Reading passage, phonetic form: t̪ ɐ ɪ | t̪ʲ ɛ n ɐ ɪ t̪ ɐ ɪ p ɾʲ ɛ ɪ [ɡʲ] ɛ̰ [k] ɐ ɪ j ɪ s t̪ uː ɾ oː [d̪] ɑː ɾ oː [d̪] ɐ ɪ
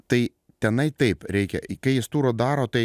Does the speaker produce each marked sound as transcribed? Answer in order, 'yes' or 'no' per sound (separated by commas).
no, yes, yes, no